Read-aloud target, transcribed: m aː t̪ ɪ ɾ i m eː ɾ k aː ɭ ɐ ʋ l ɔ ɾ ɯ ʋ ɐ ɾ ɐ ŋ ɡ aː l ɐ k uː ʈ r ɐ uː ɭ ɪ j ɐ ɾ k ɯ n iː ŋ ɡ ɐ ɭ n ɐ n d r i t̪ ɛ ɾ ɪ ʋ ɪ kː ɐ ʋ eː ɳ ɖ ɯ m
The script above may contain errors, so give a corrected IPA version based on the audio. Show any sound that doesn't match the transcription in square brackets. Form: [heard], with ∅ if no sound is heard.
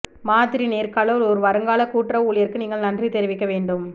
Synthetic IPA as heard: m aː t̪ ɪ ɾ i [n] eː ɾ k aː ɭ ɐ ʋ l ɔ ɾ ɯ ʋ ɐ ɾ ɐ ŋ ɡ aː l ɐ k uː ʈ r ɐ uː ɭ ɪ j ɐ ɾ k ɯ n iː ŋ ɡ ɐ ɭ n ɐ n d r i t̪ ɛ ɾ ɪ ʋ ɪ kː ɐ ʋ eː ɳ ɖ ɯ m